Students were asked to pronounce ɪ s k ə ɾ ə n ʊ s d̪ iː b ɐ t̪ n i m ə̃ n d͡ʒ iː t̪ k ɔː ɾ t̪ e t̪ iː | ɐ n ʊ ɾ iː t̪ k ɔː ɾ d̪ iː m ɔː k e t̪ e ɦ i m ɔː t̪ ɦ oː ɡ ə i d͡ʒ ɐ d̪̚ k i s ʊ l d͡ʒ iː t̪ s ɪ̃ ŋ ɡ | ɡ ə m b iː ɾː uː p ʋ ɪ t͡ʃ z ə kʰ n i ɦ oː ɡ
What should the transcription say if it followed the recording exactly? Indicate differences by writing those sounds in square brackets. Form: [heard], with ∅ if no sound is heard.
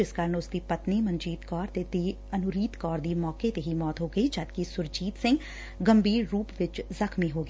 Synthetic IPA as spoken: ɪ s k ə ɾ ə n ʊ s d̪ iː [p] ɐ t̪ n i m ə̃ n d͡ʒ iː t̪ k ɔː ɾ t̪ e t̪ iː | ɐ n ʊ ɾ iː t̪ k ɔː ɾ d̪ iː m ɔː k e t̪ e ɦ i m ɔː t̪ ɦ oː ɡ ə i d͡ʒ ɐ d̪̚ k i s ʊ [ɾ] d͡ʒ iː t̪ s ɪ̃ ŋ ɡ | ɡ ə m b iː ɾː uː p ʋ ɪ t͡ʃ z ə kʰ [m] i ɦ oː ɡ